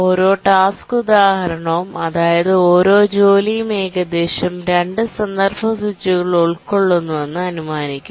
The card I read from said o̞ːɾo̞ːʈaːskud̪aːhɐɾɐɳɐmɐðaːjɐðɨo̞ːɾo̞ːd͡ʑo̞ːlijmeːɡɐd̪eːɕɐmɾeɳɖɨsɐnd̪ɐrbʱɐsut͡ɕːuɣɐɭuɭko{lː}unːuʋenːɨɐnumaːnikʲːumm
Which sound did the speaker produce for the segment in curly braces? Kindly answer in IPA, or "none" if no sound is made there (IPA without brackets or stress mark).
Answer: ɭː